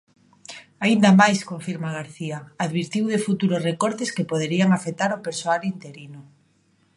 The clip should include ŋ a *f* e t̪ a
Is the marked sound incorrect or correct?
correct